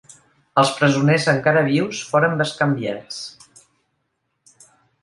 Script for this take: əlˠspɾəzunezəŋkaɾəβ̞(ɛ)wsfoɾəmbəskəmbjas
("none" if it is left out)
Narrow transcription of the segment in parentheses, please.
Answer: i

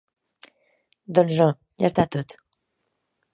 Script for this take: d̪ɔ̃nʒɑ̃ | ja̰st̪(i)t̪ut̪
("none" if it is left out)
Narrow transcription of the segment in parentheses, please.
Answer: a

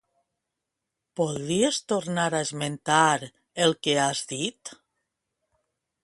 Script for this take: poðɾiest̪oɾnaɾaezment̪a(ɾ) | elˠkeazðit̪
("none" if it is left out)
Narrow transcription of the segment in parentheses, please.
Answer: ɾ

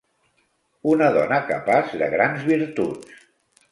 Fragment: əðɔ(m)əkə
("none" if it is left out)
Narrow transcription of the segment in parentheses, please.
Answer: n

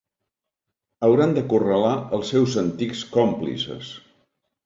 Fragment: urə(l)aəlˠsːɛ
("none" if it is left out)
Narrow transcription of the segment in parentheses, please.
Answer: l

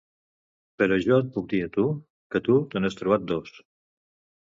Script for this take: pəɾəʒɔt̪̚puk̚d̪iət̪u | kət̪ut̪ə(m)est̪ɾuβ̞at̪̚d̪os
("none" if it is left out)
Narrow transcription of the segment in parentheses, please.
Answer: n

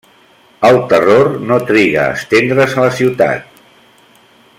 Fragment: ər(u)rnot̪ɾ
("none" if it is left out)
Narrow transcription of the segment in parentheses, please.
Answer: o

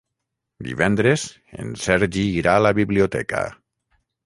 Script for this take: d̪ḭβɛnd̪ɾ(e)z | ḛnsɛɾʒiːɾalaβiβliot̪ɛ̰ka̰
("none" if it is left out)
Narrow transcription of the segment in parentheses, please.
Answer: e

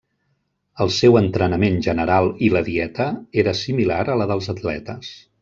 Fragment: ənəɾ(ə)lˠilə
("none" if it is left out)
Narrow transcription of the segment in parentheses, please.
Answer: a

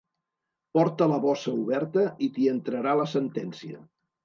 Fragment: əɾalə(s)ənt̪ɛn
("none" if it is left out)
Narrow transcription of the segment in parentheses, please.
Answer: s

